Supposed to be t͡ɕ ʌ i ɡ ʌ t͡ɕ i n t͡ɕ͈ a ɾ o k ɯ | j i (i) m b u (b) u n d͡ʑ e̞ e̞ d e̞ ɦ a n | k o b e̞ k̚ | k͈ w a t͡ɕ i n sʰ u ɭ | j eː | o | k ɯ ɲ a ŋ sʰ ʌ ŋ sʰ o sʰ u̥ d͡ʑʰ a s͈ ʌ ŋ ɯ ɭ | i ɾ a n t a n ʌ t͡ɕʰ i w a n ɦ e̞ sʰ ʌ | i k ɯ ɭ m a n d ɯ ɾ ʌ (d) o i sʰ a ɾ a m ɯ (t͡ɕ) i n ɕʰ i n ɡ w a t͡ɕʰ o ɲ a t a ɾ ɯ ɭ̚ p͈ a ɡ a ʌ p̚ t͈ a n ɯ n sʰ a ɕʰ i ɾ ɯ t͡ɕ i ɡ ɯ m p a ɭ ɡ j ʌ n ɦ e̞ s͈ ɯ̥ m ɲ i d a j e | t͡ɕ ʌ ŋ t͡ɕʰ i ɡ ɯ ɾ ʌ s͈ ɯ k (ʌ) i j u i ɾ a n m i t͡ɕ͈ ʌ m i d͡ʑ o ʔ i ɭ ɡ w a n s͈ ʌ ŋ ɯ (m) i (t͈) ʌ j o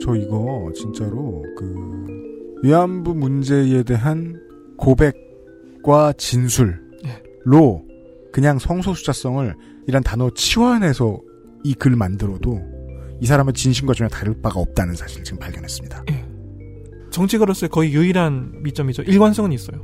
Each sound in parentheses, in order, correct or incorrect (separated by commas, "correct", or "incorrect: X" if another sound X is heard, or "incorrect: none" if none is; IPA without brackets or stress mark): incorrect: a, incorrect: m, correct, correct, correct, incorrect: ɲ, incorrect: s͈